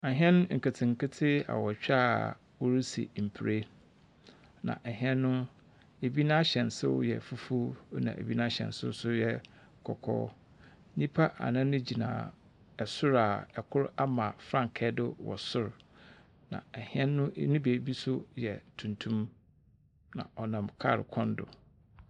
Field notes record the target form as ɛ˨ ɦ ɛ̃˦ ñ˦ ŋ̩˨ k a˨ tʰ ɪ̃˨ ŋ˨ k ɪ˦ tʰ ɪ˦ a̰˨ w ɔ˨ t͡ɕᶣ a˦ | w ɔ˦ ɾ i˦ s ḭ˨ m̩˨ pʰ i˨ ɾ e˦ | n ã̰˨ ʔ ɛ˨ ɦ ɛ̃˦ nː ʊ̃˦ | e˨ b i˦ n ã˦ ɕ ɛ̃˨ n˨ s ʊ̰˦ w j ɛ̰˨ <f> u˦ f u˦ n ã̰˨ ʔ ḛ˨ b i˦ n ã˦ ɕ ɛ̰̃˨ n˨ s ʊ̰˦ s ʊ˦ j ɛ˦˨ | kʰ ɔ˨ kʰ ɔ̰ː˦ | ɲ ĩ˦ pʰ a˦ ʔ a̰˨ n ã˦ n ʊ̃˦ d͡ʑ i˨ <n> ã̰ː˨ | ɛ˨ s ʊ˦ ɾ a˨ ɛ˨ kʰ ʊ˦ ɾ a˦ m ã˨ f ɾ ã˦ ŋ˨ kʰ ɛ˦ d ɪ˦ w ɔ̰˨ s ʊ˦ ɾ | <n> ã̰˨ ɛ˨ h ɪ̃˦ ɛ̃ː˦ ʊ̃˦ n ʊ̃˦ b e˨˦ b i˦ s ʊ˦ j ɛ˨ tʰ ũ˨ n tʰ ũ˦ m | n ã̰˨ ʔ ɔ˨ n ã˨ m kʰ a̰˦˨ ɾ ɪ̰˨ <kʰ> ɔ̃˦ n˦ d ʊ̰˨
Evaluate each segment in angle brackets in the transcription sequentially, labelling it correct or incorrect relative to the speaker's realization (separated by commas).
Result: correct, correct, correct, correct